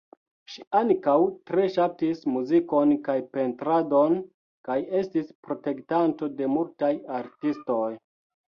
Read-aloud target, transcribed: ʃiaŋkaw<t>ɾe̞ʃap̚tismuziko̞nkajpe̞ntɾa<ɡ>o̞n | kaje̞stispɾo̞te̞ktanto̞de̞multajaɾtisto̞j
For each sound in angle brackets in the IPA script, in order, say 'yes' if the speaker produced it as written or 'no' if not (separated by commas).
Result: yes, no